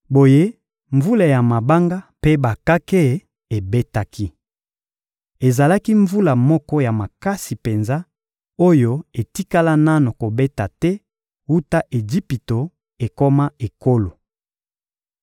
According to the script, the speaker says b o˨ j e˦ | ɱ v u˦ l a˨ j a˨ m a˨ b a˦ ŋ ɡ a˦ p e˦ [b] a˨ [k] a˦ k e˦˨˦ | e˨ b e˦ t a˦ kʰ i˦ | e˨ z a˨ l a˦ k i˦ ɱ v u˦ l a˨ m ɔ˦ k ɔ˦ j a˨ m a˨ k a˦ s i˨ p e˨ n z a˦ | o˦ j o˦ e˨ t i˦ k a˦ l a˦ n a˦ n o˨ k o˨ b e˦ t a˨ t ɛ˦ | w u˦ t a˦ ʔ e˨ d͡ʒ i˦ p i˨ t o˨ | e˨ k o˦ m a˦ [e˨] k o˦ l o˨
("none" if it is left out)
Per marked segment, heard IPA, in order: b, k, e˨

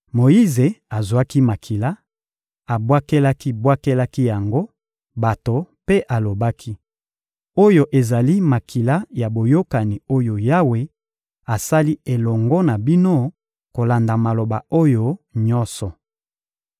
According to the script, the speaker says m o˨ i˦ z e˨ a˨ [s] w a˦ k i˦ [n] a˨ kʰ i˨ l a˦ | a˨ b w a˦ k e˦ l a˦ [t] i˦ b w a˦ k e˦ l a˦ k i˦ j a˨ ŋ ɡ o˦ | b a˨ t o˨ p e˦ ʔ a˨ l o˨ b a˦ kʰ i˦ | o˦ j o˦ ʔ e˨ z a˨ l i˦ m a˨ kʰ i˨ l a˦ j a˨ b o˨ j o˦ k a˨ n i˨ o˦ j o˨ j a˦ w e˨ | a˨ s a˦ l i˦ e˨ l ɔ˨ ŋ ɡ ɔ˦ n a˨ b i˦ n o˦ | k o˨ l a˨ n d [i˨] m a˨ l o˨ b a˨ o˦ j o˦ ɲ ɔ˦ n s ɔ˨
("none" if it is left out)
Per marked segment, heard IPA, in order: z, m, k, a˨

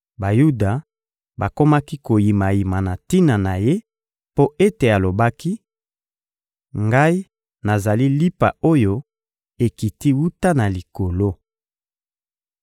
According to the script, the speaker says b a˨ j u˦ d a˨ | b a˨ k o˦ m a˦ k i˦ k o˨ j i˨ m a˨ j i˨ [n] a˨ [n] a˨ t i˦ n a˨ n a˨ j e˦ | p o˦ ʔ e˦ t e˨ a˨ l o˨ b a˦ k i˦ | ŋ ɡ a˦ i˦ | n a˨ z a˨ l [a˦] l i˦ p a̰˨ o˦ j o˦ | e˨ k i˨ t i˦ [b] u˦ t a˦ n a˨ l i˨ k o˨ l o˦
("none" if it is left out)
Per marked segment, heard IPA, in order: m, n, i˦, w

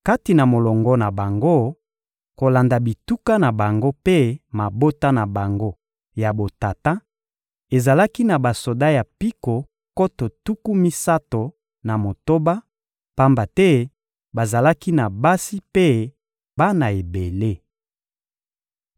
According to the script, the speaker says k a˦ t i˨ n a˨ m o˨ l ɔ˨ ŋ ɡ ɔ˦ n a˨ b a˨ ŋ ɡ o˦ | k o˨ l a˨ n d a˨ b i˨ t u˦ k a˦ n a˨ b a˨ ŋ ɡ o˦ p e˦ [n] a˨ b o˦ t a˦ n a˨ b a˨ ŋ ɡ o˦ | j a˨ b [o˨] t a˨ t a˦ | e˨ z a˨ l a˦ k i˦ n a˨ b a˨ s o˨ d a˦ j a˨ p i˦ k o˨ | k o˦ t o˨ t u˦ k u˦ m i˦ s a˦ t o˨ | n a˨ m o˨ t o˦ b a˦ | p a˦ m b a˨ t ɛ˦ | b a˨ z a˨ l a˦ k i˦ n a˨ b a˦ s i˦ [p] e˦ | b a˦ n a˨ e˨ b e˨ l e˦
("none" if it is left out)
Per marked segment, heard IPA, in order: m, o˨, p

